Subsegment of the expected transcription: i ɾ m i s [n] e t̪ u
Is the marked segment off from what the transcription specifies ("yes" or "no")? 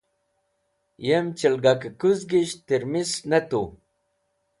no